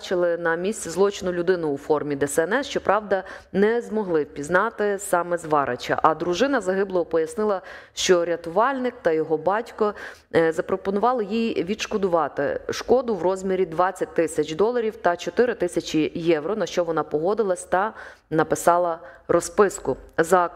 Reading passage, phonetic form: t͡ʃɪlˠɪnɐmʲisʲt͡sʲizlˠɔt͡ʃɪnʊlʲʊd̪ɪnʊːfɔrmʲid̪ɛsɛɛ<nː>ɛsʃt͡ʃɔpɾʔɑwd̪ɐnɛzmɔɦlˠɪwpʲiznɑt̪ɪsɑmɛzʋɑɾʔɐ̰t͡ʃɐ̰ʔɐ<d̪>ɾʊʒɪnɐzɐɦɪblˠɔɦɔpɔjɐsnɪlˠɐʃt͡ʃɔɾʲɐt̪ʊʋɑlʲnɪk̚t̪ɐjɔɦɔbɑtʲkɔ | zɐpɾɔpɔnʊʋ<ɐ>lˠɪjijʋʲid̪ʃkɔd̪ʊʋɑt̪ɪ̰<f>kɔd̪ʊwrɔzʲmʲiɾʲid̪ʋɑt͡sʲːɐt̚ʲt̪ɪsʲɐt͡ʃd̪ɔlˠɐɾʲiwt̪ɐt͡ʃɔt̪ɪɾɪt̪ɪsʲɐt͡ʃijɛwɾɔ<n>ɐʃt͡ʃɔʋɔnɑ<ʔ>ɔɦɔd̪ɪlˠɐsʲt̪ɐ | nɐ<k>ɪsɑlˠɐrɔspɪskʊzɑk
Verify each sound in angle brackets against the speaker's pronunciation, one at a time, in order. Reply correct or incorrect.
incorrect, correct, incorrect, incorrect, correct, incorrect, incorrect

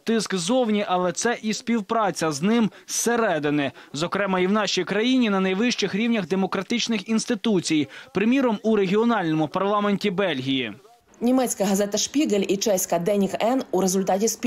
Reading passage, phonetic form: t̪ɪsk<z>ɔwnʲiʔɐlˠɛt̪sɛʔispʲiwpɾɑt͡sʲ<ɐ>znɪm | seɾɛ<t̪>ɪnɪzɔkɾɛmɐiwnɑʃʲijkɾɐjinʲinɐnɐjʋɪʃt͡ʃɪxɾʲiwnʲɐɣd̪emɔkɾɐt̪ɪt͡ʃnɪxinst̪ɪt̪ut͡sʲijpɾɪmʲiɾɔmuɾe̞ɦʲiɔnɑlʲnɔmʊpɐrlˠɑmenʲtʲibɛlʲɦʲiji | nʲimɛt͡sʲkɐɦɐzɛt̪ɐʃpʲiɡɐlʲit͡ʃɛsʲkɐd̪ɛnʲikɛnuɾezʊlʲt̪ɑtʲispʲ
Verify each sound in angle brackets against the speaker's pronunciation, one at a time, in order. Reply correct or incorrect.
correct, correct, incorrect

